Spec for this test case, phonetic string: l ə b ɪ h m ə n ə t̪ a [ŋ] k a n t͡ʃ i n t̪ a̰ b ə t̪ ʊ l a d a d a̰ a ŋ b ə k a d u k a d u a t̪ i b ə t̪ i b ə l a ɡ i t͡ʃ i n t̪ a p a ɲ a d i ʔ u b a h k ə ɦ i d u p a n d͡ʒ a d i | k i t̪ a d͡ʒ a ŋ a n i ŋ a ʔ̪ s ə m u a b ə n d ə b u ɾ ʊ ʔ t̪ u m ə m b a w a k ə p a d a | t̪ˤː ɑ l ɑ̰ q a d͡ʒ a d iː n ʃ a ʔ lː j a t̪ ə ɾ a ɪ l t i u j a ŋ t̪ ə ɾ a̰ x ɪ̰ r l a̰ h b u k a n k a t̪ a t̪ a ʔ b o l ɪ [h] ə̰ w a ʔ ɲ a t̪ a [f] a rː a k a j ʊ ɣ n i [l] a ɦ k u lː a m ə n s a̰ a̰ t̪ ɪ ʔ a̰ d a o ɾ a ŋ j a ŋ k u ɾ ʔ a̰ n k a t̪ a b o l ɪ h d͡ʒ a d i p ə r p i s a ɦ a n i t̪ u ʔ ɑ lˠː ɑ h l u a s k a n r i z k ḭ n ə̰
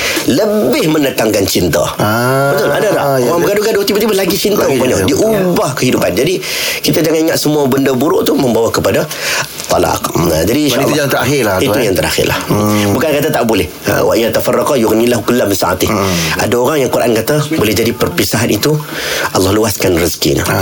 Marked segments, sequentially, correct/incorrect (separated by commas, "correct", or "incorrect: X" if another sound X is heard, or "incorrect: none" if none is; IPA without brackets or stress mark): correct, correct, correct, correct